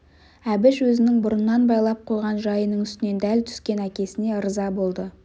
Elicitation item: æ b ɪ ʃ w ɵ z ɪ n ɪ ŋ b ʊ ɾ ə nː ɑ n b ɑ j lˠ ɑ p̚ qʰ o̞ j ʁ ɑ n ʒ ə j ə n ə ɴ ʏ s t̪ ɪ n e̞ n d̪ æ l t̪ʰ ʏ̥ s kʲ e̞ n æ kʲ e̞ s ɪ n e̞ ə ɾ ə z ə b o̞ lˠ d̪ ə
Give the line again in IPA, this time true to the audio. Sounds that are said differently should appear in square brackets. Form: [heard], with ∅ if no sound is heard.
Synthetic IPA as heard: æ b ɪ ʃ w ɵ z ɪ n ɪ ŋ b ʊ ɾ ə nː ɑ n b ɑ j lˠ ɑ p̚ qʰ o̞ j ʁ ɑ n ʒ [ɑ] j ə n ə ɴ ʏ s t̪ ɪ n e̞ n d̪ æ l t̪ʰ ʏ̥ s kʲ e̞ n æ kʲ e̞ s ɪ n e̞ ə ɾ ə z [ɑ] b o̞ lˠ d̪ ə